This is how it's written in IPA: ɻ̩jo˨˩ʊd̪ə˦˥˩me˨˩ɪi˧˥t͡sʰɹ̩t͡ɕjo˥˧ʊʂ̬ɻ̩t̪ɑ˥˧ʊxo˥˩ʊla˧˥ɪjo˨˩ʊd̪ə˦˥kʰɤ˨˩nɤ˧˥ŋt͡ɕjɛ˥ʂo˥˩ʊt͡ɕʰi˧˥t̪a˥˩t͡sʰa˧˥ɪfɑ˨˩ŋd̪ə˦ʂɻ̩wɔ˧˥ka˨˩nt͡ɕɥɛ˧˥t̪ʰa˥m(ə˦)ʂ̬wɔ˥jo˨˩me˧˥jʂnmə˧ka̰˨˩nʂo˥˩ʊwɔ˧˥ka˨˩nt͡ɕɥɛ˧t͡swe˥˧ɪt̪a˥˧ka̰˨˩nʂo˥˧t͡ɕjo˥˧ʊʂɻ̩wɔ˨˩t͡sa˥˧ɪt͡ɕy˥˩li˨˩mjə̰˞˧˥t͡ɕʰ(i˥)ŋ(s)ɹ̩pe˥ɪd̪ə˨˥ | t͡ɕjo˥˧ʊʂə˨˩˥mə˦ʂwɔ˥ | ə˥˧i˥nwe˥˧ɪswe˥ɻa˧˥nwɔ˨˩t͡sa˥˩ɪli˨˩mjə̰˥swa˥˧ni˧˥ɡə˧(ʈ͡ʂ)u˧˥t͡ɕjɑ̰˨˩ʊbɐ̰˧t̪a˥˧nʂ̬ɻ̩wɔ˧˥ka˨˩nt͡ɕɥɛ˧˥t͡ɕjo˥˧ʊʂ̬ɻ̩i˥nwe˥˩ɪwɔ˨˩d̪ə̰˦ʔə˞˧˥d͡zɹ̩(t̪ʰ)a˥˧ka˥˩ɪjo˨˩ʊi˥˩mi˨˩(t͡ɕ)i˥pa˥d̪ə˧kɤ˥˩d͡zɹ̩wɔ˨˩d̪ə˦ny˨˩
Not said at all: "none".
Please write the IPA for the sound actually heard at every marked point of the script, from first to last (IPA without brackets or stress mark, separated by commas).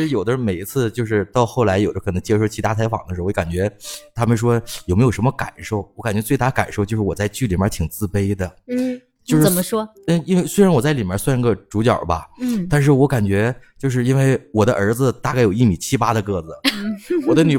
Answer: ə˨˧, i˨˩, t͡s, ʈ͡ʂ, t̪, t͡ɕʰ